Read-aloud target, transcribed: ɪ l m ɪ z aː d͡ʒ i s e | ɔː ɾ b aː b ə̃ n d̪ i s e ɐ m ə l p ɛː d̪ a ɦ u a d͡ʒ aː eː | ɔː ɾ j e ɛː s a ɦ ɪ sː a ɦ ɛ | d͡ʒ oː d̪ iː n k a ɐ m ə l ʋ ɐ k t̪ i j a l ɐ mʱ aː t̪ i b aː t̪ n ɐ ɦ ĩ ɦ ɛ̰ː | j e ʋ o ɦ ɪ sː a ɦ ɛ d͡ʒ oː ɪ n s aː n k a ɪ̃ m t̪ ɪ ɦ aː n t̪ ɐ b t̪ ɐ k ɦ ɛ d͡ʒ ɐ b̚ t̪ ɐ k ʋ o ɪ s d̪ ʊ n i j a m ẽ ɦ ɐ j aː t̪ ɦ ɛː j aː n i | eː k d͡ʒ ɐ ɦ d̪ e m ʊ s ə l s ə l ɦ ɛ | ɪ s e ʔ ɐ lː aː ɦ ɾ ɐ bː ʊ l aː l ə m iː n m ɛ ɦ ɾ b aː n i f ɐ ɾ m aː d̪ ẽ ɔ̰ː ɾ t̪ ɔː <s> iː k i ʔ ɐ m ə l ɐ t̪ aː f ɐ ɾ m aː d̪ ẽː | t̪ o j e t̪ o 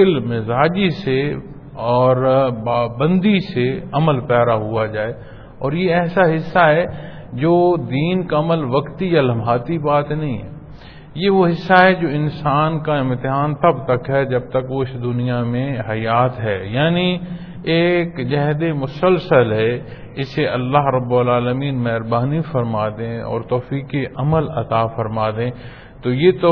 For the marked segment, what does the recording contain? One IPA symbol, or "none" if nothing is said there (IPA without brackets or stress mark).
f